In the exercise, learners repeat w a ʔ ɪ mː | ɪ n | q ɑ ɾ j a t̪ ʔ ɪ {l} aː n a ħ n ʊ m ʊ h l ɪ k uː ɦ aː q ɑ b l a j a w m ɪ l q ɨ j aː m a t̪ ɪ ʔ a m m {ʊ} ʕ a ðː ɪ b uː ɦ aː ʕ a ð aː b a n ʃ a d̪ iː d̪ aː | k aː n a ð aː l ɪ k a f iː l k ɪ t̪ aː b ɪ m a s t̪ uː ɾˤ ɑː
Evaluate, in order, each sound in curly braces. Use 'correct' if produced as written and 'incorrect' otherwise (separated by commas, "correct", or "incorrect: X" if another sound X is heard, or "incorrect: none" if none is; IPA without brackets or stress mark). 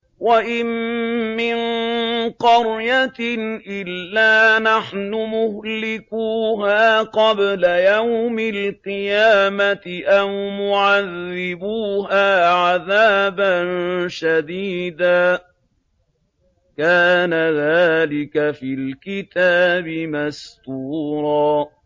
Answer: incorrect: lː, correct